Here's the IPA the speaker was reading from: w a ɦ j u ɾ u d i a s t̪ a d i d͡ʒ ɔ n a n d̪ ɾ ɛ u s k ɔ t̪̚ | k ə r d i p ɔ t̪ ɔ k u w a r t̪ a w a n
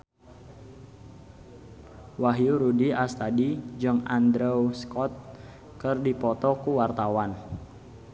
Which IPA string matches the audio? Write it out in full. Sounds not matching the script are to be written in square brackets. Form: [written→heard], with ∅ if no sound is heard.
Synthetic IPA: w a ɦ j u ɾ u d i a s t̪ a d i d͡ʒ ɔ [n→ŋ] a n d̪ ɾ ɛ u s k ɔ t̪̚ | k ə r d i p ɔ t̪ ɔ k u w a r t̪ a w a n